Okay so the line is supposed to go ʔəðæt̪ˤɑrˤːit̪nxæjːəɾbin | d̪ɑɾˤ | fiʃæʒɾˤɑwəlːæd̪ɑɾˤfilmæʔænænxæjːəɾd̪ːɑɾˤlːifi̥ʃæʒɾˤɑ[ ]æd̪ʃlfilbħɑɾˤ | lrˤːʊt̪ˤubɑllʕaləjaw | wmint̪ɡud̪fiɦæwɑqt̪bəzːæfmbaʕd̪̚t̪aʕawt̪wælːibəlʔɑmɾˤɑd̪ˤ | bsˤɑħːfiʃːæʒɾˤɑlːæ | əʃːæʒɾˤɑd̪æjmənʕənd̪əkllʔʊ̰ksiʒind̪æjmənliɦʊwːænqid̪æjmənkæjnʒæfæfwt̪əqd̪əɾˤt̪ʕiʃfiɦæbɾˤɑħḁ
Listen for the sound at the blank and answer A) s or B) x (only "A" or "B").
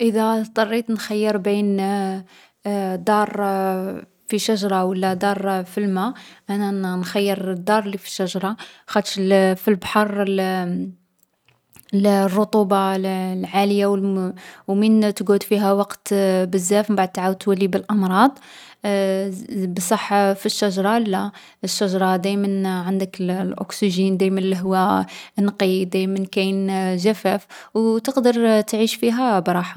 B